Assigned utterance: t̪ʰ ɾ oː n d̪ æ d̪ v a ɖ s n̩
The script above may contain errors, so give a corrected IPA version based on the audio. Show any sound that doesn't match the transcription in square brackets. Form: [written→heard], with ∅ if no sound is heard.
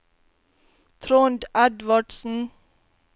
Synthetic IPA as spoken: t̪ʰ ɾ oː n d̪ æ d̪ [v→ʋ] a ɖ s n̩